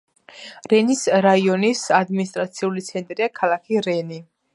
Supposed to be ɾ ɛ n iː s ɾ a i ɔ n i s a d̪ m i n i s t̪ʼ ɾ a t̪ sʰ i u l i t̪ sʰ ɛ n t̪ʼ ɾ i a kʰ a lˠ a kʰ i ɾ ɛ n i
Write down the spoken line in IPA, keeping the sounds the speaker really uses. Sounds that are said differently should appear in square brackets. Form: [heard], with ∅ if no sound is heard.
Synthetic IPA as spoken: ɾ ɛ n [i] s ɾ a i ɔ n i s a d̪ m i n i s t̪ʼ ɾ a t̪ sʰ i u l i t̪ sʰ ɛ n t̪ʼ ɾ i a kʰ a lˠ a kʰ i ɾ ɛ n i